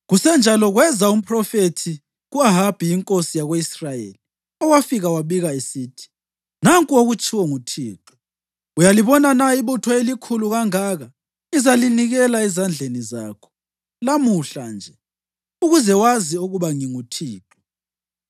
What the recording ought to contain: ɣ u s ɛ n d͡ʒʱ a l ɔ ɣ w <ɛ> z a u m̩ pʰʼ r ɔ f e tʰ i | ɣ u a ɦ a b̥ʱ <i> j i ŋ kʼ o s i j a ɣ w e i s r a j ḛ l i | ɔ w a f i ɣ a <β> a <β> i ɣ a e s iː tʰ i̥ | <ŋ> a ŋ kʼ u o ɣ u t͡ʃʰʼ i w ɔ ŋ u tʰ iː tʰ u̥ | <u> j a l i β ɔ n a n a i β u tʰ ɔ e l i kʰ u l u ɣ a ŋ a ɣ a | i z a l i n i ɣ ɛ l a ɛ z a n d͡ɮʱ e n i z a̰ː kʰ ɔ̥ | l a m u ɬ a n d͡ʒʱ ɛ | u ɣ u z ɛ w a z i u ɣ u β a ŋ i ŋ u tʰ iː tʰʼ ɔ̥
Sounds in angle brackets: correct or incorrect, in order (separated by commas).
correct, correct, incorrect, correct, incorrect, correct